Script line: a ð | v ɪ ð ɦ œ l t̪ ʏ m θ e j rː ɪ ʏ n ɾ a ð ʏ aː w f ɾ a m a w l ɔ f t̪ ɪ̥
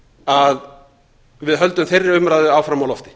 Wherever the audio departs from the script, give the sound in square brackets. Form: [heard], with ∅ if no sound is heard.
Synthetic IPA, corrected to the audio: a ð | v ɪ ð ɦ œ l t̪ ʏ m θ e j rː ɪ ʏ [m] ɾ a ð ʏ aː w f ɾ a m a w l ɔ f t̪ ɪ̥